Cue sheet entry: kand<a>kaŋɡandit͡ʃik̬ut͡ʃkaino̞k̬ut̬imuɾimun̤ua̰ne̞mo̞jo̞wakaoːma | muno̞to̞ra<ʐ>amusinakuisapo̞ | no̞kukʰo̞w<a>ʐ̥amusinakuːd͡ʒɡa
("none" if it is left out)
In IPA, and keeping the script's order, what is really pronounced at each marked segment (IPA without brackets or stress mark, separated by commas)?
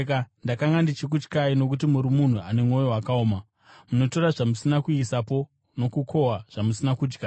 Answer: a, ʐ, a